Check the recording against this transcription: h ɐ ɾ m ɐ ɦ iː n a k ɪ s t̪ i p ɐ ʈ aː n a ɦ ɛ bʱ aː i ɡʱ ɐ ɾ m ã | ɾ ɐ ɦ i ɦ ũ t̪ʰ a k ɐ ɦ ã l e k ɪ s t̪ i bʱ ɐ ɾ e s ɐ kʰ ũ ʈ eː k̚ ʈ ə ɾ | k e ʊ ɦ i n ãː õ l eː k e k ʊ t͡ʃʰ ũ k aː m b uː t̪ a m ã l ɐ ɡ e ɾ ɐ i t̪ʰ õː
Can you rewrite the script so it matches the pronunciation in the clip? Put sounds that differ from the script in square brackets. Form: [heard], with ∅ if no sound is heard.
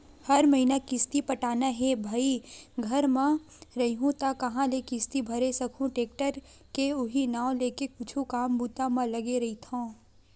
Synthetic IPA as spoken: h ɐ ɾ m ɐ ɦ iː n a k ɪ s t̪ i p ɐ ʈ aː n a ɦ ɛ bʱ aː i ɡʱ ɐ ɾ m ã | ɾ ɐ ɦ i ɦ ũ [t̪] a k ɐ ɦ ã l e k ɪ s t̪ i bʱ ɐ ɾ e s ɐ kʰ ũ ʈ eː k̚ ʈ ə ɾ | k e ʊ ɦ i n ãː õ l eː k e k ʊ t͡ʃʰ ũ k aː m b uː t̪ a m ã l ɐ ɡ e ɾ ɐ i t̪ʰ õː

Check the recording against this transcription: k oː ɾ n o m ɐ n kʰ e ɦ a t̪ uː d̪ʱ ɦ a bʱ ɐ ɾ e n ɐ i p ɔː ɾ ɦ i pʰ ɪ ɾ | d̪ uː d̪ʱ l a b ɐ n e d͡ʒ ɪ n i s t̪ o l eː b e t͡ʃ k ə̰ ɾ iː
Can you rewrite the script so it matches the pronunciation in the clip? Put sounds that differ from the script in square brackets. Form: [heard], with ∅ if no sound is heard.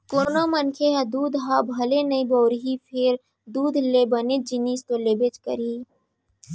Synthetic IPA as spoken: k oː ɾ n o m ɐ n kʰ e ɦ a [d̪] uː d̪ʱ ɦ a bʱ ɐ [l] e n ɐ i [b] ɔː ɾ ɦ i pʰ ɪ ɾ | d̪ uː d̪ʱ l [e] b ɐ n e d͡ʒ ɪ n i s t̪ o l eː b e t͡ʃ k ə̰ ɾ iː

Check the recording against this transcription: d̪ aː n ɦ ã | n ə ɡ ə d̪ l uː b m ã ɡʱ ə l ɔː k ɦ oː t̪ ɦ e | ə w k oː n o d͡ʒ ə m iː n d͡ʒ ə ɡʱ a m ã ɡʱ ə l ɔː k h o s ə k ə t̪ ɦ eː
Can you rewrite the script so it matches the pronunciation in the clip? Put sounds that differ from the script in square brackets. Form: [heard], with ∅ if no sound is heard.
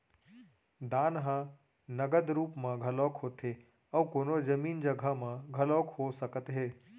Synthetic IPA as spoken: d̪ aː n ɦ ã | n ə ɡ ə d̪ [ɾ] uː [p] m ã ɡʱ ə l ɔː k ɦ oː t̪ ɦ e | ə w k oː n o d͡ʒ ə m iː n d͡ʒ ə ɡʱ a m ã ɡʱ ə l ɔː k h o s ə k ə t̪ ɦ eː

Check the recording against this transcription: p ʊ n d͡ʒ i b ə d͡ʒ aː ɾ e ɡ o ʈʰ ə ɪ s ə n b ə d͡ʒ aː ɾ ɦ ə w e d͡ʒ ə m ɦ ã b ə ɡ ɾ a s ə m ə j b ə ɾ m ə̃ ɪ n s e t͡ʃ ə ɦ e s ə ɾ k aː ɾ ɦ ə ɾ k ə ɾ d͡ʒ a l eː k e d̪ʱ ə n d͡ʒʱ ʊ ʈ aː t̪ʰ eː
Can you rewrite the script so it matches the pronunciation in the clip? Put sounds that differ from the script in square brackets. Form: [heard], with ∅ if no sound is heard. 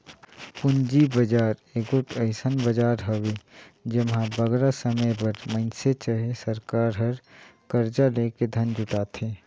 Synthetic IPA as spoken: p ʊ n d͡ʒ i b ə d͡ʒ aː ɾ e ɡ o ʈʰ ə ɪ s ə n b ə d͡ʒ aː ɾ ɦ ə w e d͡ʒ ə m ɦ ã b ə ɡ ɾ a s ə m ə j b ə ɾ m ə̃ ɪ n s e t͡ʃ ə ɦ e s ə ɾ k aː ɾ ɦ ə ɾ k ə ɾ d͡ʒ a l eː k e d̪ʱ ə n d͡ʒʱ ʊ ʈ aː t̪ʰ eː

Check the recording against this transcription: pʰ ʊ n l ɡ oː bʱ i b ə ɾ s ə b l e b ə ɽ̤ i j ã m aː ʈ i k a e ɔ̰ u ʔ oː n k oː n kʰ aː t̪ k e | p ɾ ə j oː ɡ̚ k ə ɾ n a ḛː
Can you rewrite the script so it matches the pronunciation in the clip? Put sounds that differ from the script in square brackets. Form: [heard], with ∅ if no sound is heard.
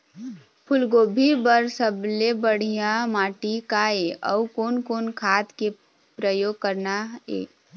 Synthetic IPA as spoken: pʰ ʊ [∅] l ɡ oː bʱ i b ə ɾ s ə b l e b ə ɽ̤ i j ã m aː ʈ i k a e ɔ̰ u [k] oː n k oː n kʰ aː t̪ k e | p ɾ ə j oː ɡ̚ k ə ɾ n a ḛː

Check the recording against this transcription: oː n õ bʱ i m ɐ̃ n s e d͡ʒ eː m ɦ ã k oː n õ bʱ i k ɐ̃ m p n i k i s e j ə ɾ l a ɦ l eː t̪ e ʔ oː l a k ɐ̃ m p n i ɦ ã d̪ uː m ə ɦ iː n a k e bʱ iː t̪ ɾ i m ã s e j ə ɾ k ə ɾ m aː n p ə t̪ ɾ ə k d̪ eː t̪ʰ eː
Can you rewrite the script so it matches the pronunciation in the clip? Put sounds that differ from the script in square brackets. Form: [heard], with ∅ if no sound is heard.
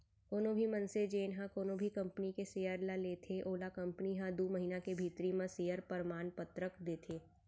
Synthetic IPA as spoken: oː n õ bʱ i m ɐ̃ n s e d͡ʒ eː [n] ɦ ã k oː n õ bʱ i k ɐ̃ m p n i k [e] s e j ə ɾ l a [∅] l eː [t̪ʰ] e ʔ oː l a k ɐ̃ m p n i ɦ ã d̪ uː m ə ɦ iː n a k e bʱ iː t̪ ɾ i m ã s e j ə ɾ [p] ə ɾ m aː n p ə t̪ ɾ ə k d̪ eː t̪ʰ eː

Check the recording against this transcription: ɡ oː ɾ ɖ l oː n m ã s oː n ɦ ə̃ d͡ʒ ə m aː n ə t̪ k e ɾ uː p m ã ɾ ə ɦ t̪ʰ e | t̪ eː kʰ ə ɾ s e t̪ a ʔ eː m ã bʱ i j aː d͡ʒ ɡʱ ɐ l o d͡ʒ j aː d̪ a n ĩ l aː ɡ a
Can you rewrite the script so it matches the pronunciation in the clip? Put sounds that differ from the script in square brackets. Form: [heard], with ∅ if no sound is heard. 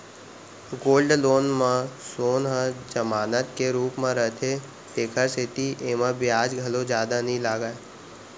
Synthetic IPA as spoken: ɡ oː [l] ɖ l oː n m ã s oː n ɦ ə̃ d͡ʒ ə m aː n ə t̪ k e ɾ uː p m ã ɾ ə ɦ t̪ʰ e | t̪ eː kʰ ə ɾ s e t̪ [i] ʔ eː m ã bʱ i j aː d͡ʒ ɡʱ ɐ l o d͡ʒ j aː d̪ a n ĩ l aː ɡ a

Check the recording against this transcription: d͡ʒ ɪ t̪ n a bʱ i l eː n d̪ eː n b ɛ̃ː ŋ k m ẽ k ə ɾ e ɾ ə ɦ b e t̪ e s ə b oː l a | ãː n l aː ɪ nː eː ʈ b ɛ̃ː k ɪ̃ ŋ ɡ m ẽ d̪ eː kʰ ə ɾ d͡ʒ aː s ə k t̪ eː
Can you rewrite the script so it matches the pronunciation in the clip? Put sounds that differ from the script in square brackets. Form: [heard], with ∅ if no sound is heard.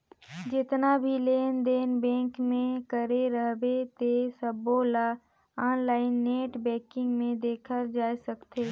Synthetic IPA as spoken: d͡ʒ ɪ t̪ n a bʱ i l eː n d̪ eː n b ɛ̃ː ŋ k m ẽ k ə ɾ e ɾ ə ɦ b e t̪ e s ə b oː l a | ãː n l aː ɪ nː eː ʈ b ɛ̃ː k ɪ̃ ŋ ɡ m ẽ d̪ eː kʰ ə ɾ d͡ʒ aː s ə k t̪ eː

